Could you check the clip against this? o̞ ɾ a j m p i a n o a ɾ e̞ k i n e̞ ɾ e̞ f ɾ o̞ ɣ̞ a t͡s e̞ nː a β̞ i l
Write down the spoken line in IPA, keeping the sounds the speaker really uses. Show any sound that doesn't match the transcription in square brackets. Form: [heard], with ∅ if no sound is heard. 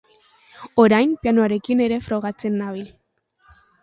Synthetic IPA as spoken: o̞ ɾ a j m p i a n o a ɾ e̞ k i n e̞ ɾ e̞ f ɾ o̞ ɣ̞ a t͡s e̞ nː a β̞ i l

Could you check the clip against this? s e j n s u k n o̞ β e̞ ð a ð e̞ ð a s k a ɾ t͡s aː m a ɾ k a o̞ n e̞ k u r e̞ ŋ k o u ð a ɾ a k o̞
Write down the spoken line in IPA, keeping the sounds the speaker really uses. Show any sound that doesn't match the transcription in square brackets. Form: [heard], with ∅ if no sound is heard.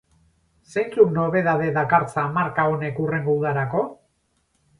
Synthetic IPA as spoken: s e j n [t͡s] u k n o̞ β e̞ ð a ð e̞ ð a [∅] k a ɾ t͡s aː m a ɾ k a o̞ n e̞ k u r e̞ ŋ [ɡ] o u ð a ɾ a k o̞

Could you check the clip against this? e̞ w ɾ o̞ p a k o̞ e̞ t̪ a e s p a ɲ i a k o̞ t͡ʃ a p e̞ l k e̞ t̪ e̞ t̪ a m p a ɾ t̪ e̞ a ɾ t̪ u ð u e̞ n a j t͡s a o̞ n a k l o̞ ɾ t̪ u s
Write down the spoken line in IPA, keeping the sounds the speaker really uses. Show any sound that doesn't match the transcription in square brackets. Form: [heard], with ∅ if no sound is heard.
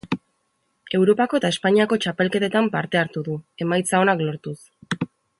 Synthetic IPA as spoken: e̞ w ɾ o̞ p a k o̞ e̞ t̪ a e s p a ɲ i a k o̞ t͡ʃ a p e̞ l k e̞ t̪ e̞ t̪ a m p a ɾ t̪ e̞ a ɾ t̪ u ð u e̞ [m] a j t͡s a o̞ n a k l o̞ ɾ t̪ u s

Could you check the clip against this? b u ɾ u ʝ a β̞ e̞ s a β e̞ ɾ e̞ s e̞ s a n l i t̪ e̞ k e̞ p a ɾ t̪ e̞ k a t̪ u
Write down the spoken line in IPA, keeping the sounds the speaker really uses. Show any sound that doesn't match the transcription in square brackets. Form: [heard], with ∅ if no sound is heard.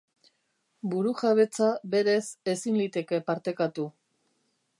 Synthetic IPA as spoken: b u ɾ u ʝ a β̞ e̞ [t͡s] a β e̞ ɾ e̞ s e̞ s [i] n l i t̪ e̞ k e̞ p a ɾ t̪ e̞ k a t̪ u

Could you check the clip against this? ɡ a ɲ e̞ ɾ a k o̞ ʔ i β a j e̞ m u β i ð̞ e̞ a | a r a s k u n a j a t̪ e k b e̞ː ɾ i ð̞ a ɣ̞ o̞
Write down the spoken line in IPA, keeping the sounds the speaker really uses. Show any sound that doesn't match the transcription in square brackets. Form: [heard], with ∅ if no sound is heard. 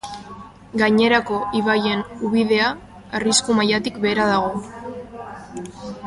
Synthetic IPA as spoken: ɡ a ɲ e̞ ɾ a k o̞ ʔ i β a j e̞ [n] u β i ð̞ e̞ a | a r [i] s k u [m] a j a t̪ [i] k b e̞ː ɾ [a] ð̞ a ɣ̞ o̞

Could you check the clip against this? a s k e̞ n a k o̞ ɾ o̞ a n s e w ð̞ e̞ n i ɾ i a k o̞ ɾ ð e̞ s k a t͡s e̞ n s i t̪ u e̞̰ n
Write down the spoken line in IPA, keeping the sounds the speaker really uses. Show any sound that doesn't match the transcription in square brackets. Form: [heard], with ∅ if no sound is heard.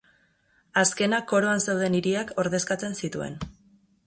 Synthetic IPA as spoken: a s k e̞ n a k o̞ ɾ o̞ a n s e w ð̞ e̞ n i ɾ i a k o̞ ɾ ð e̞ s k a t͡s e̞ n s i t̪ u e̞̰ n

